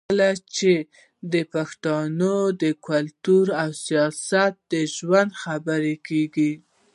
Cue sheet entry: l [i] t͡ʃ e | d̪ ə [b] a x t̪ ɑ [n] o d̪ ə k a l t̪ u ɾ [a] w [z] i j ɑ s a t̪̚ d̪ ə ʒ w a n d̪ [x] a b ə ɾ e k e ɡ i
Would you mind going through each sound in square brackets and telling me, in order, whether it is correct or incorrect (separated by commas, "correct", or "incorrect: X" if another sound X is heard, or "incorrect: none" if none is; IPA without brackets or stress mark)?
incorrect: a, incorrect: p, correct, correct, incorrect: s, correct